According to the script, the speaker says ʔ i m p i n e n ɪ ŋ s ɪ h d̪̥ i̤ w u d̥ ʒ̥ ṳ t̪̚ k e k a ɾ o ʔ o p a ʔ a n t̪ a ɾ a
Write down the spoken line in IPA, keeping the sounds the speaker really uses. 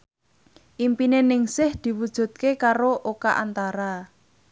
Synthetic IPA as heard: ʔ i m p i n e n ɪ ŋ s ɪ h d̪̥ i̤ w u d̥ ʒ̥ ṳ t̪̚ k e k a ɾ o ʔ o k a ʔ a n t̪ a ɾ a